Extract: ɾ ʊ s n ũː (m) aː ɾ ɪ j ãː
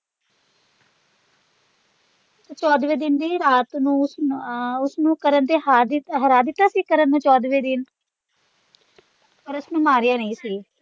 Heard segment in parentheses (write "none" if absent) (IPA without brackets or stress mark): m